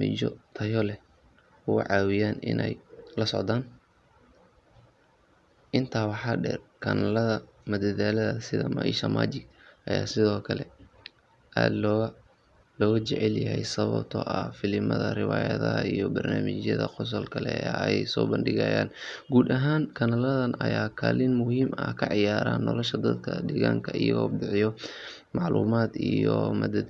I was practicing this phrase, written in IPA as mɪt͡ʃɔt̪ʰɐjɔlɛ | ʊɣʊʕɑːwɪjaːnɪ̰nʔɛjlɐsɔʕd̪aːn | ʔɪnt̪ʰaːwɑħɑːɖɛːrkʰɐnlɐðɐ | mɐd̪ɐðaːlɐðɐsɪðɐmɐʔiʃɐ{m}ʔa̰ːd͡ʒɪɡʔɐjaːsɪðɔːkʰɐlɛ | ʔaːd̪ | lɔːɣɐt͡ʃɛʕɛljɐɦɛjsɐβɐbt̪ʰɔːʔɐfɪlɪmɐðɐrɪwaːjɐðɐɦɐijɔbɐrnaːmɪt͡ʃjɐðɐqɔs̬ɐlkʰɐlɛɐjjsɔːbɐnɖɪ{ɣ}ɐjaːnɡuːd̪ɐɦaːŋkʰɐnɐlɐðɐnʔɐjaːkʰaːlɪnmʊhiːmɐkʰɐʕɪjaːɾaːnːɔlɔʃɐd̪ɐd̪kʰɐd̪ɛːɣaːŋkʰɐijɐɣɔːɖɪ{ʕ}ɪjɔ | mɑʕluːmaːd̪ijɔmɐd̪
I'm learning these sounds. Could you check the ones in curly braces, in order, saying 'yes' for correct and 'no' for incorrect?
yes, yes, yes

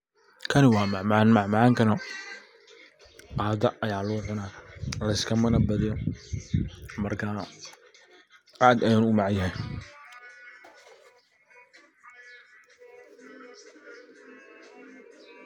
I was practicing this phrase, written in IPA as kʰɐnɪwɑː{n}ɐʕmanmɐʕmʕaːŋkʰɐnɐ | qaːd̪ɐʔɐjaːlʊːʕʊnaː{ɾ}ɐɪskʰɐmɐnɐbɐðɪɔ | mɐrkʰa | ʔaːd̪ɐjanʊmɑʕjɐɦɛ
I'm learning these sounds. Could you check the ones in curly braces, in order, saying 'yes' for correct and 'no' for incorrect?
no, no

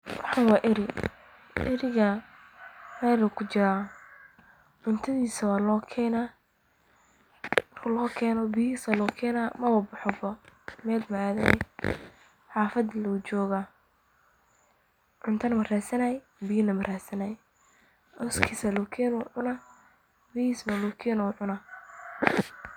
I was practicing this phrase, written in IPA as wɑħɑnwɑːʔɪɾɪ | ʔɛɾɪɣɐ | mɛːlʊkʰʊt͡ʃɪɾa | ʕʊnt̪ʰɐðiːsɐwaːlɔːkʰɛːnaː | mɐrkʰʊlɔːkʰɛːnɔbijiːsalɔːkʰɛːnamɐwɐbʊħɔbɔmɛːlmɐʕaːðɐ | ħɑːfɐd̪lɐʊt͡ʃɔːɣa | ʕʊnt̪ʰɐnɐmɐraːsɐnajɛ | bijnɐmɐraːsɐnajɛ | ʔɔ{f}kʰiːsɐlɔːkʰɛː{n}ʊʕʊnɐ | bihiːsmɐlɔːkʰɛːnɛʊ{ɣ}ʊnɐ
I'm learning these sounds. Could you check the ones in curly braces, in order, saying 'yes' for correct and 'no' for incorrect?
no, yes, no

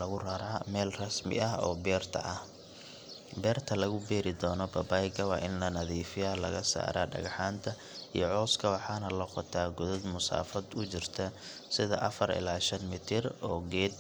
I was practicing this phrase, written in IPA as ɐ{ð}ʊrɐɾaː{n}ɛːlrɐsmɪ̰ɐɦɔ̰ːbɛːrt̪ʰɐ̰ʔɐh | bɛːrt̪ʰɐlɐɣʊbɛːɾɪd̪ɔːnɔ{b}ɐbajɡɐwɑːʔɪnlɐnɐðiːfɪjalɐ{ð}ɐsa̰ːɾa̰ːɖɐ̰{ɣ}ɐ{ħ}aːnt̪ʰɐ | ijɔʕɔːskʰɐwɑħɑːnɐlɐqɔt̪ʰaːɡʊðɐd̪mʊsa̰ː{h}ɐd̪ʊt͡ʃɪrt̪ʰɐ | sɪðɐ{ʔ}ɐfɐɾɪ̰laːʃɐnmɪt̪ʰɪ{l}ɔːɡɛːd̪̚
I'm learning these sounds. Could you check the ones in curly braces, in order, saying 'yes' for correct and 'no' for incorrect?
no, no, yes, no, yes, yes, no, yes, no

